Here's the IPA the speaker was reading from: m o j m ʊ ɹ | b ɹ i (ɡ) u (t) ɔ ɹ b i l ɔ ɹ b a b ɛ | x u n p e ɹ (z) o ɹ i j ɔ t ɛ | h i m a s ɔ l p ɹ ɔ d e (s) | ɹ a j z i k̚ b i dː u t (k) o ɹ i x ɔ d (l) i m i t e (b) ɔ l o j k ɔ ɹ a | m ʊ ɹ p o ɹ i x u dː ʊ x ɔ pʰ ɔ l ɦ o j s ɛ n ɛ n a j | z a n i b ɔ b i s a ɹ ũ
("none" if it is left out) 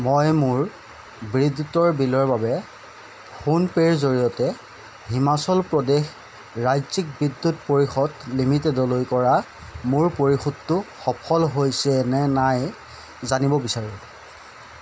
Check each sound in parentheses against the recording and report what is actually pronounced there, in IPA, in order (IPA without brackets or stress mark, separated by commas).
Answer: d, t, z, x, p, l, d